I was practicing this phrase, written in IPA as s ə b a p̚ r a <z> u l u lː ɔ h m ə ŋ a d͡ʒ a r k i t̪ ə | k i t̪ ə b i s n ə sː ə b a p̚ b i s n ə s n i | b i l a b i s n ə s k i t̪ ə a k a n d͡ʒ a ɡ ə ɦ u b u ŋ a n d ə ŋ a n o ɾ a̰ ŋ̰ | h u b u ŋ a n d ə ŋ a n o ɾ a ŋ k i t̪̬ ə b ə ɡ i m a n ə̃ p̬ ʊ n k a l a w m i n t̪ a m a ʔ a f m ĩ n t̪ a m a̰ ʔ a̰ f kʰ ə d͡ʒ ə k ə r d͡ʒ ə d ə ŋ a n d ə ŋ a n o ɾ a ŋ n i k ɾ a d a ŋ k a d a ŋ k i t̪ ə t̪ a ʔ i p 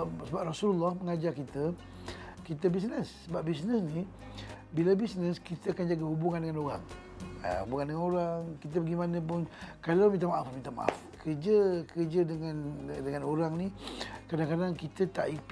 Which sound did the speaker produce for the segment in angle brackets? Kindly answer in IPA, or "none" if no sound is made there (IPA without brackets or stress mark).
s